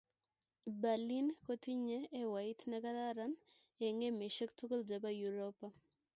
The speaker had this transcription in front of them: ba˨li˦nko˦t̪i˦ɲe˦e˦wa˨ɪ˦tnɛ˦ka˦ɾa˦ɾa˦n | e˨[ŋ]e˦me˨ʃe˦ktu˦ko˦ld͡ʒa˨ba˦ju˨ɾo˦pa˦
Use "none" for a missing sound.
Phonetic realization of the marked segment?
ŋ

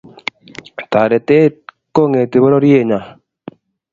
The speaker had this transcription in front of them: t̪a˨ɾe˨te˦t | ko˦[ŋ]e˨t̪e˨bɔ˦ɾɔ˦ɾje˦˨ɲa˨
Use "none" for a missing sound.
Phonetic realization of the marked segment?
ŋ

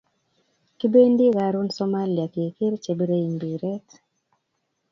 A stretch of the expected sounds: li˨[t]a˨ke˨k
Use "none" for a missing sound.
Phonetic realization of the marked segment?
none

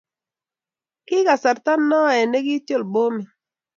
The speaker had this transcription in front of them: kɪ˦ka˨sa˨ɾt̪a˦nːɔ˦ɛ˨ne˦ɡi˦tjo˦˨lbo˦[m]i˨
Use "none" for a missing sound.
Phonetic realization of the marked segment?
m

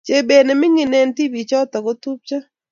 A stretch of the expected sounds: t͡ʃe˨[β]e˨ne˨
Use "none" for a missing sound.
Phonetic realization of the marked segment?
b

